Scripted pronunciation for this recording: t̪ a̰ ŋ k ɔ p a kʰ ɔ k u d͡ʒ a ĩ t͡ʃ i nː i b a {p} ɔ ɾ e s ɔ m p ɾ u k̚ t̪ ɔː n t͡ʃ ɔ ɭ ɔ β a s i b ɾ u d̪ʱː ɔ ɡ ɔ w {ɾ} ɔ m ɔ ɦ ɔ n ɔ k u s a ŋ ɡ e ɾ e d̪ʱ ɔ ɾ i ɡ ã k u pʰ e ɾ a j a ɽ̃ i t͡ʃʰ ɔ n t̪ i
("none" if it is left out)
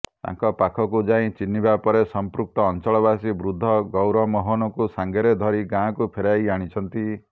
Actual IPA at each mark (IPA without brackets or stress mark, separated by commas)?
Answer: p, ɾ